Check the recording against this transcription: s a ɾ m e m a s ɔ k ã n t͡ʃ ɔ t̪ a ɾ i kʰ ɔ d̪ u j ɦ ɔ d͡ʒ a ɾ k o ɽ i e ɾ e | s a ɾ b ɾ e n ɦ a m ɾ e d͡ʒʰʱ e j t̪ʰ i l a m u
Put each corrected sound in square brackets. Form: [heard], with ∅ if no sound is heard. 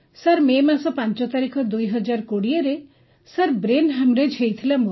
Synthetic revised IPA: s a ɾ m e m a s ɔ [p] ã n t͡ʃ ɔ t̪ a ɾ i kʰ ɔ d̪ u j ɦ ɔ d͡ʒ a ɾ k o ɽ i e ɾ e | s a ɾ b ɾ e n ɦ a m ɾ e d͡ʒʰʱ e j t̪ʰ i l a m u

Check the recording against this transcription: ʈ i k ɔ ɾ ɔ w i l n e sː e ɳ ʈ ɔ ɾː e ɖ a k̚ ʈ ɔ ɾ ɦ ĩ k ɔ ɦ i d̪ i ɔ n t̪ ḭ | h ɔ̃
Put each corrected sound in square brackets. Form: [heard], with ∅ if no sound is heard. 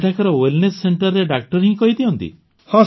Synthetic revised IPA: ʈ [a] k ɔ ɾ ɔ w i l n e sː e ɳ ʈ ɔ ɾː e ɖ a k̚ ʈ ɔ ɾ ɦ ĩ k ɔ ɦ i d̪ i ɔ n t̪ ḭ | h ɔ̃

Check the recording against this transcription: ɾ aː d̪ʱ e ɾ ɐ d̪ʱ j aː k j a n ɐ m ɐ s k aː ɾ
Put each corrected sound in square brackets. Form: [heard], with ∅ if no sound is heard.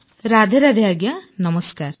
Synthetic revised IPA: ɾ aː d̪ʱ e ɾ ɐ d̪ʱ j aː [ɡ] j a n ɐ m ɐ s k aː ɾ

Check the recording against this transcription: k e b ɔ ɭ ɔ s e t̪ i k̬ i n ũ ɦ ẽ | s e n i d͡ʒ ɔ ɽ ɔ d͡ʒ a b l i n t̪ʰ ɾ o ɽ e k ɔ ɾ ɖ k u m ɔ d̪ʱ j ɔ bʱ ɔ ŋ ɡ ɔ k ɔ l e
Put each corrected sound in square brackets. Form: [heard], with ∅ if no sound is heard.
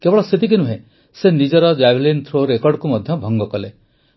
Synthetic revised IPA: k e b ɔ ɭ ɔ s e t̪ i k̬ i n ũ ɦ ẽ | s e n i d͡ʒ ɔ [ɾ] ɔ d͡ʒ a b l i n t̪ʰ ɾ o [ɾ] e k ɔ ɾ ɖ k u m ɔ d̪ʱ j ɔ bʱ ɔ ŋ ɡ ɔ k ɔ l e

